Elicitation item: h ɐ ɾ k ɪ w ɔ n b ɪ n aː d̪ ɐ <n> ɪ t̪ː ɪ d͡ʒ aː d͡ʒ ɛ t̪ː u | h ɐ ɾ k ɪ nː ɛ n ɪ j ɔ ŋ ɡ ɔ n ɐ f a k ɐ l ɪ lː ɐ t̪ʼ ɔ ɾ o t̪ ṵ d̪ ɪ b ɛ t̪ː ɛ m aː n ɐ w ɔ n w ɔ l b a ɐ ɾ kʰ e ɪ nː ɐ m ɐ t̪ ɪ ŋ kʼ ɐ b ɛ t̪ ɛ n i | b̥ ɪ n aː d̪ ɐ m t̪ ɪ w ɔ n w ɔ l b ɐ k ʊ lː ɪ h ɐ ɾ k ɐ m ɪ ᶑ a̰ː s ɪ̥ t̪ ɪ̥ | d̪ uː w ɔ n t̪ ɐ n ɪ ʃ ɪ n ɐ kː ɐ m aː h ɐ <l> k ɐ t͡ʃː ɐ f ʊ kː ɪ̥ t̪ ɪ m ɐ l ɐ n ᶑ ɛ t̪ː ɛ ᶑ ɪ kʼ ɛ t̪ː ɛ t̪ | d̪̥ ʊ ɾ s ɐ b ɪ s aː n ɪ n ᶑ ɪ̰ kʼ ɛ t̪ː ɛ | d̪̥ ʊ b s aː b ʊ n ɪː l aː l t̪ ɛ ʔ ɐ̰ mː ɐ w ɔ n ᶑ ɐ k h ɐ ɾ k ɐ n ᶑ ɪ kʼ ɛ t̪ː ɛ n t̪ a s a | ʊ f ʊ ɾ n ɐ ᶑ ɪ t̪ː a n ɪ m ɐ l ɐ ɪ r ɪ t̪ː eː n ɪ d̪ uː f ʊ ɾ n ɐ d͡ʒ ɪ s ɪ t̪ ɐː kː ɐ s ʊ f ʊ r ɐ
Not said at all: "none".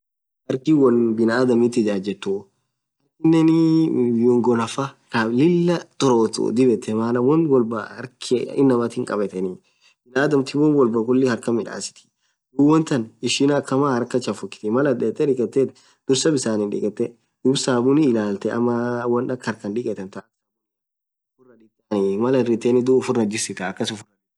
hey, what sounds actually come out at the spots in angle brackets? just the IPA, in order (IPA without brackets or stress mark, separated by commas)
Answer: m, ɾ